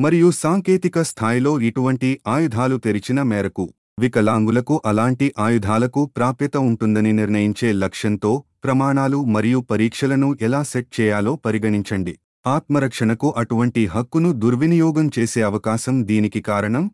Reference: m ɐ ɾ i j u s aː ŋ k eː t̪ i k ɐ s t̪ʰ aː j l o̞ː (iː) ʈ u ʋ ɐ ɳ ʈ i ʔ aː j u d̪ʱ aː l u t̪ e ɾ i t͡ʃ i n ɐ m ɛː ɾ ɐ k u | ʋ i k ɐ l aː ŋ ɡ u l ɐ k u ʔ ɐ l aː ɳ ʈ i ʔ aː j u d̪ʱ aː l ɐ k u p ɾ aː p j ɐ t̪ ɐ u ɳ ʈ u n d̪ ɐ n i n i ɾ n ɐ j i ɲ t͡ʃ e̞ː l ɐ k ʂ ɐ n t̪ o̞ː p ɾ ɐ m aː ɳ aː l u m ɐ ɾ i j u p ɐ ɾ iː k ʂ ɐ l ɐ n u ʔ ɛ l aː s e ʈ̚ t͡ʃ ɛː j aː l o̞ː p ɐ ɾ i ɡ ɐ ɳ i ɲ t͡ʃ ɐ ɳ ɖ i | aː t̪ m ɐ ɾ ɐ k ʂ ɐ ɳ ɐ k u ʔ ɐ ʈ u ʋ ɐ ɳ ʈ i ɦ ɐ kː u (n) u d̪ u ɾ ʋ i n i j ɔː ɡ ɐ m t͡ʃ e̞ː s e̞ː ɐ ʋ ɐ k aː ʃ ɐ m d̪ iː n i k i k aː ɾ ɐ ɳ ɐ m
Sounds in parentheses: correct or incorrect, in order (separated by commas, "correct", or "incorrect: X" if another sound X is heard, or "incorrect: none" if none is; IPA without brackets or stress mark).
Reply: incorrect: i, correct